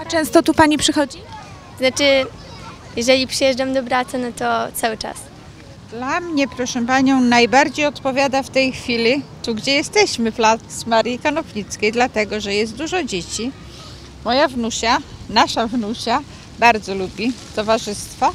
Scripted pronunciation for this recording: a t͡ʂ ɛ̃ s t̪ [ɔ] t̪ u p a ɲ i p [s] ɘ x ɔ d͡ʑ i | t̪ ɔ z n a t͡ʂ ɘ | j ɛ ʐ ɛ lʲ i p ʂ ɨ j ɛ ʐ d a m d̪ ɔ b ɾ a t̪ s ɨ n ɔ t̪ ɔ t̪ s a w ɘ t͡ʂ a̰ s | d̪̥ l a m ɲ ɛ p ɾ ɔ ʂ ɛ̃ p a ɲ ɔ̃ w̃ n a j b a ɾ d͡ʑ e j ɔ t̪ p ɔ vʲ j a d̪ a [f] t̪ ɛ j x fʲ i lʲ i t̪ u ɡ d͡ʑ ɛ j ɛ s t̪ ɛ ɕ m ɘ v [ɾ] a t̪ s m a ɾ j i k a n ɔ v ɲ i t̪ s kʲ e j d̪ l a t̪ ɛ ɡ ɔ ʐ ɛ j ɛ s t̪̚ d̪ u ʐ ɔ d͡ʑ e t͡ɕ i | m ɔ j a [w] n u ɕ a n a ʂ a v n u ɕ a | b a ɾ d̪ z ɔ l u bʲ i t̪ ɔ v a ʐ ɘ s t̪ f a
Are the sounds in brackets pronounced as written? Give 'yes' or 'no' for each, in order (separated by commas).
yes, no, yes, no, no